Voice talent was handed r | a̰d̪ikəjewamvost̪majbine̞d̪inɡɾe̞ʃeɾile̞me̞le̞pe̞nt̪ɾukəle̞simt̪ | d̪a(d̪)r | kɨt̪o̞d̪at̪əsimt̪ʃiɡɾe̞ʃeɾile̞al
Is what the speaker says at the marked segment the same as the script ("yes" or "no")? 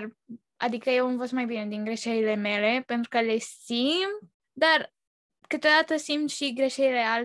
no